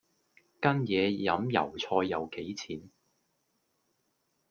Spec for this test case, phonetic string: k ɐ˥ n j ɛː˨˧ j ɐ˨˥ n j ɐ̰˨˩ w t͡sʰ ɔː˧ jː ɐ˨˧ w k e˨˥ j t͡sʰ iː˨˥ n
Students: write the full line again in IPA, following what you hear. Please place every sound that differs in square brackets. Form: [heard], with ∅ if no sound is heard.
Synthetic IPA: k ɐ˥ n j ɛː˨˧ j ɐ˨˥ [m] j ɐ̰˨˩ w t͡sʰ ɔː˧ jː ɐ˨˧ w k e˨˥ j t͡sʰ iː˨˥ n